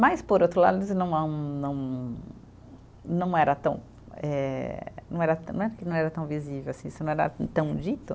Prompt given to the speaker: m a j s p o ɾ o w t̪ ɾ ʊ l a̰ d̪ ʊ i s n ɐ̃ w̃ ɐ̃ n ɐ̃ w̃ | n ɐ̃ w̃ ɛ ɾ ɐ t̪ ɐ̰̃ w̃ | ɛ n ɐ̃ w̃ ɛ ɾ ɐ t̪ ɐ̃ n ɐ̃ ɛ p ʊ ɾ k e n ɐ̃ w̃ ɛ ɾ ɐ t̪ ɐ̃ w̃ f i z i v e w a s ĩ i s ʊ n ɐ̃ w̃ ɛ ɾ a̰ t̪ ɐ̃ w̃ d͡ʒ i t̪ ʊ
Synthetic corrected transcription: m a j s p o ɾ o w t̪ ɾ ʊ l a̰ d̪ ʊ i s n ɐ̃ w̃ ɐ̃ n ɐ̃ w̃ | n ɐ̃ w̃ ɛ ɾ ɐ t̪ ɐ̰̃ w̃ | ɛ n ɐ̃ w̃ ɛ ɾ ɐ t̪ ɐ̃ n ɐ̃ ɛ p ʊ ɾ k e n ɐ̃ w̃ ɛ ɾ ɐ t̪ ɐ̃ w̃ v i z i v e w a s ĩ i s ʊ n ɐ̃ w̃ ɛ ɾ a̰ t̪ ɐ̃ w̃ d͡ʒ i t̪ ʊ

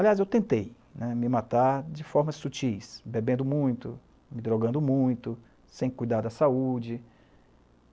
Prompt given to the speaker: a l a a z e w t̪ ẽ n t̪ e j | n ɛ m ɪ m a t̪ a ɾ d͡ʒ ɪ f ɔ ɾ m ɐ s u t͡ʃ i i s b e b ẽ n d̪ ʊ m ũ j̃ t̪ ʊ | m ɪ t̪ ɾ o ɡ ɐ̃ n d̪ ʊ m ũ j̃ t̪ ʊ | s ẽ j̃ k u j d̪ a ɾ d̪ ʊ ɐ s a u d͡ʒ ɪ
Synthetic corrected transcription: a l i a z e w t̪ ẽ n t̪ e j | n ɛ m ɪ m a t̪ a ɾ d͡ʒ ɪ f ɔ ɾ m ɐ s u t͡ʃ i j s b e b ẽ n d̪ ʊ m ũ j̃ t̪ ʊ | m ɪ d̪ ɾ o ɡ ɐ̃ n d̪ ʊ m ũ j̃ t̪ ʊ | s ẽ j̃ k u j d̪ a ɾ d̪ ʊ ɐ s a u d͡ʒ ɪ

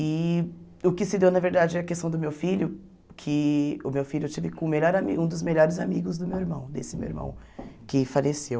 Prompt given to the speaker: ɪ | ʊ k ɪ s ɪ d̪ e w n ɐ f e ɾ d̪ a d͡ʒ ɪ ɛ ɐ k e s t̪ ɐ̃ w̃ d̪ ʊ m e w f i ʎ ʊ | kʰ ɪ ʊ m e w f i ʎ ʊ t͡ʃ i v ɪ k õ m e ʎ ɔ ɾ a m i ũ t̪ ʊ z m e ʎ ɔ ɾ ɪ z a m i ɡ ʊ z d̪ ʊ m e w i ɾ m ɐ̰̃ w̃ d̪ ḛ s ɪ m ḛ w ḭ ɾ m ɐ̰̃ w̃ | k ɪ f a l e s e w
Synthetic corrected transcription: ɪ | ʊ k ɪ s ɪ d̪ e w n ɐ v e ɾ d̪ a d͡ʒ ɪ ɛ ɐ k e s t̪ ɐ̃ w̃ d̪ ʊ m e w f i ʎ ʊ | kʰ ɪ ʊ m e w f i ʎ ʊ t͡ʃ i v ɪ k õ m e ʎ ɔ ɾ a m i ũ d̪ ʊ z m e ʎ ɔ ɾ ɪ z a m i ɡ ʊ z d̪ ʊ m e w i ɾ m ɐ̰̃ w̃ d̪ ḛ s ɪ m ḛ w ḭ ɾ m ɐ̰̃ w̃ | k ɪ f a l e s e w

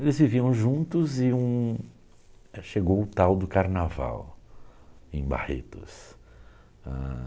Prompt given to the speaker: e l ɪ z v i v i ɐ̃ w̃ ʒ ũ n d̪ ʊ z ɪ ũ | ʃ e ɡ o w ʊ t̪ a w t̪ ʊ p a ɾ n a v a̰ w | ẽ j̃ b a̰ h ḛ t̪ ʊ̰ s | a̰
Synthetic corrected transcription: e l ɪ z v i v i ɐ̃ w̃ ʒ ũ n t̪ ʊ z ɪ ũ | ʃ e ɡ o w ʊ t̪ a w d̪ ʊ k a ɾ n a v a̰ w | ẽ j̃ b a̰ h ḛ t̪ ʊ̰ s | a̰

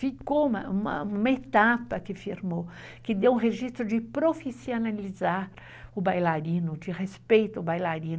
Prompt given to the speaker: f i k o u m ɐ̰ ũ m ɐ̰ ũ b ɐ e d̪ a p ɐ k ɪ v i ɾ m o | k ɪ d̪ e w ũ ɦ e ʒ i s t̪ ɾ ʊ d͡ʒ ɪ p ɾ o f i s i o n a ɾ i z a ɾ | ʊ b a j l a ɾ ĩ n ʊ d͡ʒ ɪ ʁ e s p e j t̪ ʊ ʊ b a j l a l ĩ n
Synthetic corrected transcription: f i k o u m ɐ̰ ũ m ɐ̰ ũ m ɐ e t̪ a p ɐ k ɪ f i ɾ m o | k ɪ d̪ e w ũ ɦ e ʒ i s t̪ ɾ ʊ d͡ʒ ɪ p ɾ o f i s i o n a l i z a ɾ | ʊ b a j l a ɾ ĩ n ʊ d͡ʒ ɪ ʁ e s p e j t̪ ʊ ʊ b a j l a ɾ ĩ n

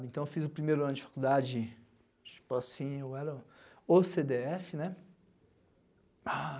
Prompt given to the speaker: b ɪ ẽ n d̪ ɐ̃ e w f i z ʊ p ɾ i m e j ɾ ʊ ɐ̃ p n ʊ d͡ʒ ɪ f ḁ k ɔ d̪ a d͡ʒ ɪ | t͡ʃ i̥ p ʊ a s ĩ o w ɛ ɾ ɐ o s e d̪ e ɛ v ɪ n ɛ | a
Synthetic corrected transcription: b ɪ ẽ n t̪ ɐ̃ e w f i z ʊ p ɾ i m e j ɾ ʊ ɐ̃ n ʊ d͡ʒ ɪ f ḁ k u d̪ a d͡ʒ ɪ | t͡ʃ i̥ p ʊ a s ĩ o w ɛ ɾ ɐ o s e d̪ e ɛ f ɪ n ɛ | a

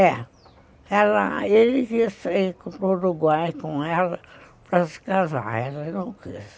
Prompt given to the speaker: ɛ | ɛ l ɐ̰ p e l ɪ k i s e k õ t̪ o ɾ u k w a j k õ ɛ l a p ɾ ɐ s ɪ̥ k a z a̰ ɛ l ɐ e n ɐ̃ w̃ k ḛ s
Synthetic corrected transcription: ɛ | ɛ l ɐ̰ e l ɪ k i s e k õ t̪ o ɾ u ɡ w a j k õ ɛ l ɐ p ɾ ɐ s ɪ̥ k a z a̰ ɛ l ɐ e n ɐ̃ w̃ k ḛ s

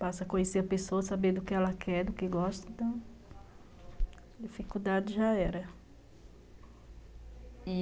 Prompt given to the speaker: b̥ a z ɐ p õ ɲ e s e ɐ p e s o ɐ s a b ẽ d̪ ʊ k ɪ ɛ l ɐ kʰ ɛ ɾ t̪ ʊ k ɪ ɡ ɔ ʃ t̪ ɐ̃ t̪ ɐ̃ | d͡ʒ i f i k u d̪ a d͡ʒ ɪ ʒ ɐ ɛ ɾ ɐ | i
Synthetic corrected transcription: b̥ a s ɐ k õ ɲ e s e ɐ p e s o ɐ s a b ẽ d̪ ʊ k ɪ ɛ l ɐ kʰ ɛ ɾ d̪ ʊ k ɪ ɡ ɔ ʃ t̪ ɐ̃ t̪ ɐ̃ | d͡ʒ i f i k u d̪ a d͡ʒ ɪ ʒ a ɛ ɾ ɐ | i

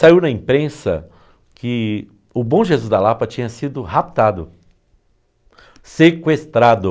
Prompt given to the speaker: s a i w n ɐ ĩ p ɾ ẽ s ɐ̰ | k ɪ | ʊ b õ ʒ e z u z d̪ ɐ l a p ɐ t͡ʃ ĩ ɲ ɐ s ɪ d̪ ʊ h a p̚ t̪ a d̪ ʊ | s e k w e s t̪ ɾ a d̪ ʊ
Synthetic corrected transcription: s a i w n ɐ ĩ p ɾ ẽ s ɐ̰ | k ɪ | ʊ b õ ʒ e z u z d̪ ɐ l a p ɐ t͡ʃ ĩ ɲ ɐ s i d̪ ʊ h a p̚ t̪ a d̪ ʊ | s e k w e s t̪ ɾ a d̪ ʊ

